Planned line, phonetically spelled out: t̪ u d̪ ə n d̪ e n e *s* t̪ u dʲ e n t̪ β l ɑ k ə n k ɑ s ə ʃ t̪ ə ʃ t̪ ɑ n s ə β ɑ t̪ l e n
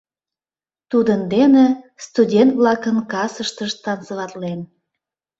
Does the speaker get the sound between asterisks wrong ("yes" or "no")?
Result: no